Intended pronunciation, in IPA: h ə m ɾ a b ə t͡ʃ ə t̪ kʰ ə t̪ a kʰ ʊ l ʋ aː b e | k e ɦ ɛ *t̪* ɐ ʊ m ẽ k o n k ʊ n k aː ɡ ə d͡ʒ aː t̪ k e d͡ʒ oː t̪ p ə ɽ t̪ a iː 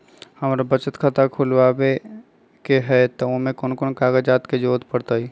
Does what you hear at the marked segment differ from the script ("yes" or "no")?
no